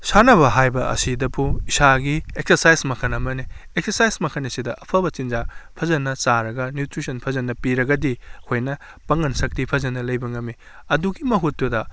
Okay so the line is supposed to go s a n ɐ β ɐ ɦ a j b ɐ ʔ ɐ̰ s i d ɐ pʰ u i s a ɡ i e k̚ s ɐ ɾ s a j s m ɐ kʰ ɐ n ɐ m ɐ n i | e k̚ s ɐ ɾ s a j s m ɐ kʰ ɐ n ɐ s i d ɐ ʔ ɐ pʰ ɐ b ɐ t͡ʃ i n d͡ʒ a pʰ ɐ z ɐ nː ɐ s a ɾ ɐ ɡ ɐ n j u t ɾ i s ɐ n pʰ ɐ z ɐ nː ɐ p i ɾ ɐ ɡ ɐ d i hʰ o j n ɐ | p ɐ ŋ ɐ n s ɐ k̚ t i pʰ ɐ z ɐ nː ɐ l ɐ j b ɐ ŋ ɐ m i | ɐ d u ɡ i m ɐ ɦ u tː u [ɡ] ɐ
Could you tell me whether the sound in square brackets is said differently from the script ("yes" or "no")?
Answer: yes